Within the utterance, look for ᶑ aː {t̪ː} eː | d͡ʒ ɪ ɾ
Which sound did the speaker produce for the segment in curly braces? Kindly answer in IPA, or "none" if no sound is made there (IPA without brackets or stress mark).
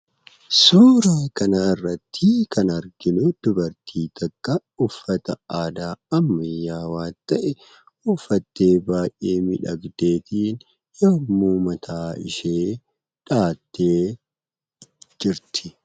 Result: t̪ː